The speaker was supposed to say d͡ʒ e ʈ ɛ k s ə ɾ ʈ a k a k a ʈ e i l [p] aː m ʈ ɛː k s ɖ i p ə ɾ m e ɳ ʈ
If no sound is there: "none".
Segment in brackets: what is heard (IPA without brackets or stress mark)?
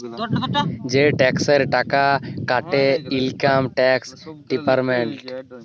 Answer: k